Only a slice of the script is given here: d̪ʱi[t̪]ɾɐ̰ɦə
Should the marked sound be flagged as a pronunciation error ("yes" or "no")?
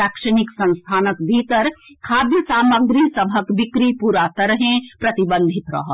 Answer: no